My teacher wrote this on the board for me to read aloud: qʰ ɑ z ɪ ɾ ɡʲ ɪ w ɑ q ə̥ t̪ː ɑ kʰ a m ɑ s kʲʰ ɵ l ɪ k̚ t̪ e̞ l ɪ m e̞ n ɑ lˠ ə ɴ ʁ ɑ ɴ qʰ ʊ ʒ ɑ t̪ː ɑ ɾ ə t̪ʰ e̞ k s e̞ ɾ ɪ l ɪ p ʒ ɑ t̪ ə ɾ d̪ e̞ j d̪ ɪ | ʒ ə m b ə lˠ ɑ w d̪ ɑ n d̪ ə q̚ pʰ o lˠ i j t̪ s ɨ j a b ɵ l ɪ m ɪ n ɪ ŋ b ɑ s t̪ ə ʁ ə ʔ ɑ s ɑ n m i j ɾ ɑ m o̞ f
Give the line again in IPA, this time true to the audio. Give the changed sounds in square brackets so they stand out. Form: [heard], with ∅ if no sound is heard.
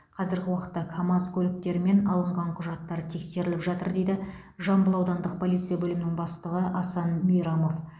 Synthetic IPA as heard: qʰ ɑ z ɪ ɾ ɡʲ ɪ w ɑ q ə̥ t̪ː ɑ kʰ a m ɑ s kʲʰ ɵ l ɪ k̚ t̪ e̞ [ɾ] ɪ m e̞ n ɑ lˠ ə ɴ ʁ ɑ ɴ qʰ ʊ ʒ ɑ t̪ː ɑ ɾ ə t̪ʰ e̞ k s e̞ ɾ ɪ l ɪ p ʒ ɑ t̪ ə ɾ d̪ e̞ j d̪ ɪ | ʒ [ɑ] m b ə lˠ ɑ w d̪ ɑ n d̪ ə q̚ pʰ o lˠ i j t̪ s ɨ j a b ɵ l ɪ m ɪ n ɪ ŋ b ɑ s t̪ ə ʁ ə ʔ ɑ s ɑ n m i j ɾ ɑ m o̞ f